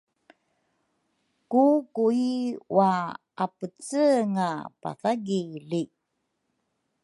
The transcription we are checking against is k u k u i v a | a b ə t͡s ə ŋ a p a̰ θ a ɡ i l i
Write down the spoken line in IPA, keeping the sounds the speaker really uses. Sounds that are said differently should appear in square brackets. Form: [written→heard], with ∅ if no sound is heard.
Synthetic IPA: k u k u i [v→w] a | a [b→p] ə t͡s ə ŋ a p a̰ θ a ɡ i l i